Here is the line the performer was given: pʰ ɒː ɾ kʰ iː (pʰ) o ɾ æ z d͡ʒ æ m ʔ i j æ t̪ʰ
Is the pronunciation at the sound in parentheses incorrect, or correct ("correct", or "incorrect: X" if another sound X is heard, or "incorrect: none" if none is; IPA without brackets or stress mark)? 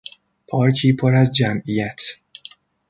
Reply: correct